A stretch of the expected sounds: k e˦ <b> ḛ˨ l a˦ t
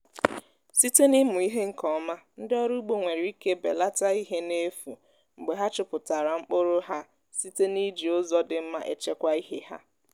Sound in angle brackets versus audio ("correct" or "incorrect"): correct